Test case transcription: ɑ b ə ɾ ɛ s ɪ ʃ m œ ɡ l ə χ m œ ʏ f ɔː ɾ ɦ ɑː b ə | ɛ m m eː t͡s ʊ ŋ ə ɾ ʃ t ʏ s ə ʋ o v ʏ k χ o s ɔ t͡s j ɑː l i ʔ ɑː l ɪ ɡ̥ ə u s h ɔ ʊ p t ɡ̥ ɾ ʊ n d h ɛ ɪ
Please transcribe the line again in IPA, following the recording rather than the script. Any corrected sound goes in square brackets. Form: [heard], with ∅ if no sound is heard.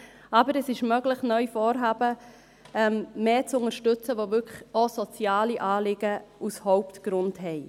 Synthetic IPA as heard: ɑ b ə ɾ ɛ s ɪ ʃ m œ ɡ l ə χ [n] œ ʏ f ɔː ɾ ɦ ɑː b ə | ɛ m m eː t͡s ʊ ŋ ə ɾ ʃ t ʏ [t͡s] ə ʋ o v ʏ k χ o s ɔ t͡s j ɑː l i ʔ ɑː l ɪ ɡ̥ ə u s h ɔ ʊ p t ɡ̥ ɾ ʊ n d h ɛ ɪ